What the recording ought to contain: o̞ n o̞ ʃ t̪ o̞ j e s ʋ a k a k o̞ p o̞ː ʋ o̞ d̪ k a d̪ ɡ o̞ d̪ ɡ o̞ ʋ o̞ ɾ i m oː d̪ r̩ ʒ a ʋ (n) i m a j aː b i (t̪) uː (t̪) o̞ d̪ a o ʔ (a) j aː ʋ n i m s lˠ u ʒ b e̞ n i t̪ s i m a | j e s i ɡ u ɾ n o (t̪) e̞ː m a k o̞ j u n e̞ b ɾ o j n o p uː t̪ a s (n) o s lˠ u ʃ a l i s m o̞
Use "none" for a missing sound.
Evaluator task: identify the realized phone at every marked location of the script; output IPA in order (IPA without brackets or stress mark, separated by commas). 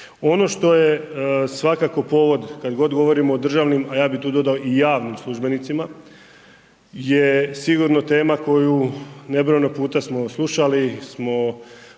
n, t̪, d̪, i, t̪, m